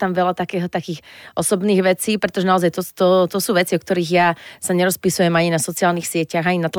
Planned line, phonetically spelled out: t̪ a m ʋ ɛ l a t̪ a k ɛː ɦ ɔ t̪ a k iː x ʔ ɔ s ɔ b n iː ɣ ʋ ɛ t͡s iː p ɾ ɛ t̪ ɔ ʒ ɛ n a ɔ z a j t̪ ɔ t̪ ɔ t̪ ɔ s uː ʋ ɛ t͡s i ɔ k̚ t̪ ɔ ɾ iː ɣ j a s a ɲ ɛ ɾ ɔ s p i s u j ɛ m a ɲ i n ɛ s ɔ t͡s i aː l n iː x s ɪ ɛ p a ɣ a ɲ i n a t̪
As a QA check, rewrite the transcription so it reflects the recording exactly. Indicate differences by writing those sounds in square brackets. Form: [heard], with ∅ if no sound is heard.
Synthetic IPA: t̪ a m ʋ ɛ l a t̪ a k ɛː ɦ ɔ t̪ a k iː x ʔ ɔ s ɔ b n iː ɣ ʋ ɛ t͡s iː p ɾ ɛ t̪ ɔ ʒ ɛ n a ɔ z a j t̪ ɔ t̪ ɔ t̪ ɔ s uː ʋ ɛ t͡s i ɔ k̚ t̪ ɔ ɾ iː ɣ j a s a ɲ ɛ ɾ ɔ s p i s u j ɛ m a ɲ i n [a] s ɔ t͡s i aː l n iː x s ɪ ɛ [c] a ɣ a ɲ i n a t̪